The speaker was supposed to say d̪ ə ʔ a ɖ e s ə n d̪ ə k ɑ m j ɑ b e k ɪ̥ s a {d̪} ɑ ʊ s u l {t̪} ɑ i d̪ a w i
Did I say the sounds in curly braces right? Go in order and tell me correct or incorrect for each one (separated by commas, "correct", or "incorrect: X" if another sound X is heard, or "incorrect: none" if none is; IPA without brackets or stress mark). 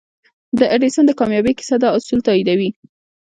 correct, correct